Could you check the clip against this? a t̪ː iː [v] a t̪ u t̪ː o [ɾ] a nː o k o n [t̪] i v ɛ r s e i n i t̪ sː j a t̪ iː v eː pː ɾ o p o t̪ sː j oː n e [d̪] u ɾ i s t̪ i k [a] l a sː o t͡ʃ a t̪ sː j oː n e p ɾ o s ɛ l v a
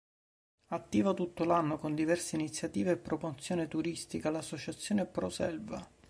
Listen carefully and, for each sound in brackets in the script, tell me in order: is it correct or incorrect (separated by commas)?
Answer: correct, incorrect, incorrect, incorrect, correct